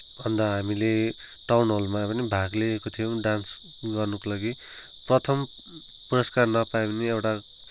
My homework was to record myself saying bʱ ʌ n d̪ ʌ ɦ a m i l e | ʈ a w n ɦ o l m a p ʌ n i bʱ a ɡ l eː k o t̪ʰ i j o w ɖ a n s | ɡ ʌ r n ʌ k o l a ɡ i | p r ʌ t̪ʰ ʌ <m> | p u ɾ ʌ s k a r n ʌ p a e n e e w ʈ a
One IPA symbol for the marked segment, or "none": m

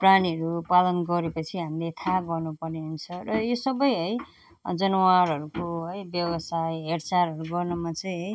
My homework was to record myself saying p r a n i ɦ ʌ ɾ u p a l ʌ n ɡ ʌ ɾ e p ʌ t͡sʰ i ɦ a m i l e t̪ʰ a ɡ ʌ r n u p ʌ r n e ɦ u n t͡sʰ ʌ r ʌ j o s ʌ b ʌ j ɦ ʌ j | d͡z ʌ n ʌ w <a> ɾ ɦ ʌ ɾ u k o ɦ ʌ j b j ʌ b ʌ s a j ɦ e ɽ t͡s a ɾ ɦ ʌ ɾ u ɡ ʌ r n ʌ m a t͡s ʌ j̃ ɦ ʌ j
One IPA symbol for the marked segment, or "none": a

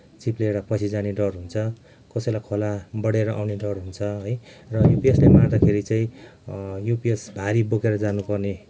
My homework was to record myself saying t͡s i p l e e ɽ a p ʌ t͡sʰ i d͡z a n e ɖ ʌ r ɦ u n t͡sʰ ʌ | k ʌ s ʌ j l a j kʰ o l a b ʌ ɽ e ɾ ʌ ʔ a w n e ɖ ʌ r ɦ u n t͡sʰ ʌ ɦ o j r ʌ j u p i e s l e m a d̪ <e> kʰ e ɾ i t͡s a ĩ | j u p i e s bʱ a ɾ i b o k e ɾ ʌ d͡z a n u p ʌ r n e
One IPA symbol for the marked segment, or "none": a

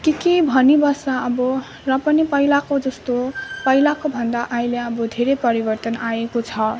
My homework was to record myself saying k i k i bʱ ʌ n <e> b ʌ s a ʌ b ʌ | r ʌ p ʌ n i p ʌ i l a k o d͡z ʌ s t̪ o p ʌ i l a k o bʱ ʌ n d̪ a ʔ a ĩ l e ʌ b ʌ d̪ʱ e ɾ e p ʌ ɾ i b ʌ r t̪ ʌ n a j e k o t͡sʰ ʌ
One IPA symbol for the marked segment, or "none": i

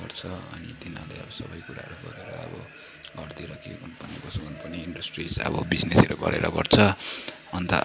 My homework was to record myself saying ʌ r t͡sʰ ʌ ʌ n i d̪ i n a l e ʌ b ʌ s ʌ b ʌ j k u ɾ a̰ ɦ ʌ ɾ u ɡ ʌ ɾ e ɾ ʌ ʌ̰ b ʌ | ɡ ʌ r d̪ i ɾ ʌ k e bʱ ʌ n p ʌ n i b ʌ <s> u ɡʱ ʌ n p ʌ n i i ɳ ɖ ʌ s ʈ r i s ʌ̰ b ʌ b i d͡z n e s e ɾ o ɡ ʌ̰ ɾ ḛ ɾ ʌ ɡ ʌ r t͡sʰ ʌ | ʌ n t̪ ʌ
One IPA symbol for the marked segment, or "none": s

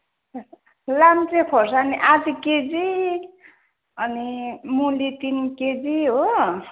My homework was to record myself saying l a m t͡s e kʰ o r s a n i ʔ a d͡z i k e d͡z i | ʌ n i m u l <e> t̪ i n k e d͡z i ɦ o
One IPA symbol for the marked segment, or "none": i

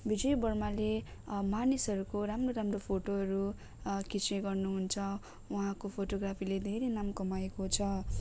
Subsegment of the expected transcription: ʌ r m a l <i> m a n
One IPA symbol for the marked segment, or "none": e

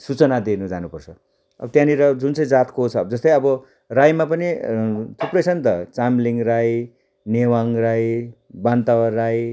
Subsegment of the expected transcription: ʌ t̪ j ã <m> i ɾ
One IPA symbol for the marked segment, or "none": n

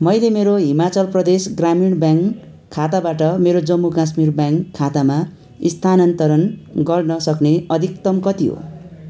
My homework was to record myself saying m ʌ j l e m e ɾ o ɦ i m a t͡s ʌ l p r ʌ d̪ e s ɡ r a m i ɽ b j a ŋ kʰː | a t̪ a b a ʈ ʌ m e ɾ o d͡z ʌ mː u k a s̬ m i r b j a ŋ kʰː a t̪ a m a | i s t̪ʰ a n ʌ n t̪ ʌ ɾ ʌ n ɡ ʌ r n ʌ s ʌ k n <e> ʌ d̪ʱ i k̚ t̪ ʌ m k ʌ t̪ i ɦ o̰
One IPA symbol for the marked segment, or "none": e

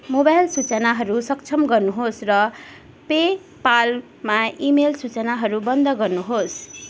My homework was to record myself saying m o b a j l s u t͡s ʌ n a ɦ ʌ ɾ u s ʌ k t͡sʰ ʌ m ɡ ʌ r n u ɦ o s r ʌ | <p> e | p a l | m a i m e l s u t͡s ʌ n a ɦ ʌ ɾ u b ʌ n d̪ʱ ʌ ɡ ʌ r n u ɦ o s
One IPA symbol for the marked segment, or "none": p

